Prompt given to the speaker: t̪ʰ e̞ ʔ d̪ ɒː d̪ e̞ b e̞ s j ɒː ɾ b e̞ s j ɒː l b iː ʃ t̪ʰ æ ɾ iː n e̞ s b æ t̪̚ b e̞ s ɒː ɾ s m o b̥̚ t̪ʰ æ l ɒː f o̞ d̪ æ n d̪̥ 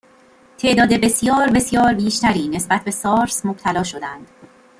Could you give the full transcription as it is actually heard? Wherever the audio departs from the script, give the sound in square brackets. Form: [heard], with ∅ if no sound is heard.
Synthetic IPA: t̪ʰ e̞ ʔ d̪ ɒː d̪ e̞ b e̞ s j ɒː ɾ b e̞ s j ɒː [ɾ] b iː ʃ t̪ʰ æ ɾ iː n e̞ s b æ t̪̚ b e̞ s ɒː ɾ s m o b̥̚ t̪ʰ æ l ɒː [ʃ] o̞ d̪ æ n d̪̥